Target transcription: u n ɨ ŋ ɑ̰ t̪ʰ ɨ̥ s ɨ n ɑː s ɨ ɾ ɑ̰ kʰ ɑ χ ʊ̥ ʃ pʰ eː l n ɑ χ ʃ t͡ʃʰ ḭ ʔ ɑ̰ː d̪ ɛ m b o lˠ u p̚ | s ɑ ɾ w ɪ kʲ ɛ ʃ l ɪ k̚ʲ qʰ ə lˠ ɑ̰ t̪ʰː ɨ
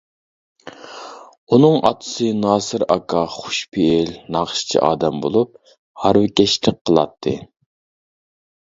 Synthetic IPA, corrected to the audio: u n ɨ ŋ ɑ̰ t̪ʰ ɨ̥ s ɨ n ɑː s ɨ ɾ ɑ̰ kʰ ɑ χ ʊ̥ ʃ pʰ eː l n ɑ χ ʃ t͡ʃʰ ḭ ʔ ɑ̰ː d̪ ɛ m b o lˠ u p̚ | h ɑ ɾ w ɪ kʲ ɛ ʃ l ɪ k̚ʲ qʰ ə lˠ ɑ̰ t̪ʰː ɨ